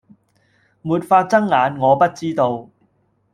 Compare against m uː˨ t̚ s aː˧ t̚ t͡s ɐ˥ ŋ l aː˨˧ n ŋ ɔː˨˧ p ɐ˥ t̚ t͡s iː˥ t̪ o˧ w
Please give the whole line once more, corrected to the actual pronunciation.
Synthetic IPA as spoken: m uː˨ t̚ f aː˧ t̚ t͡s ɐ˥ ŋ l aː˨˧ n ŋ ɔː˨˧ p ɐ˥ t̚ t͡s iː˥ t̪ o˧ w